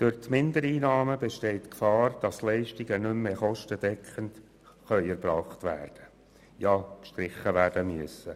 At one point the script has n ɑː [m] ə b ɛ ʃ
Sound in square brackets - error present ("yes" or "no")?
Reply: no